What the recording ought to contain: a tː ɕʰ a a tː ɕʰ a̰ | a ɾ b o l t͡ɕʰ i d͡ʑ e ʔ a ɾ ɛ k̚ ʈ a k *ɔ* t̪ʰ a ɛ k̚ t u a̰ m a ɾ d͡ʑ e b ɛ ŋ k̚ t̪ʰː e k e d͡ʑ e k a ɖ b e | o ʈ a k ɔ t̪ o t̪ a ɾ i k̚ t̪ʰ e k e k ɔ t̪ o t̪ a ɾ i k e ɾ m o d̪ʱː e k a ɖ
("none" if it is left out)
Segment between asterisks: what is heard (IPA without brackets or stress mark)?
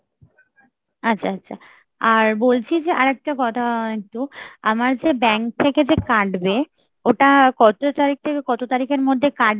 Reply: ɔ